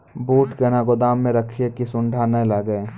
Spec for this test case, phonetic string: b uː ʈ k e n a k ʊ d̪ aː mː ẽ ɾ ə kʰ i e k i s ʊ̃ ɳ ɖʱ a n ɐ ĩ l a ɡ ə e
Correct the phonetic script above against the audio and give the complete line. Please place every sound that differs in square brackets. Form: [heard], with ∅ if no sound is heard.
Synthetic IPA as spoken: b uː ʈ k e n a [ɡ] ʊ d̪ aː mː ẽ ɾ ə kʰ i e k i s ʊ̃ ɳ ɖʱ a n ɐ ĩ l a ɡ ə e